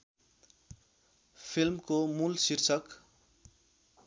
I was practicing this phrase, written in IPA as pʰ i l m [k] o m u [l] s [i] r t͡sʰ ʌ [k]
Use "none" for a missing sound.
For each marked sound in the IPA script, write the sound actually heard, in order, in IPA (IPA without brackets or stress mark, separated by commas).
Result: k, l, i, k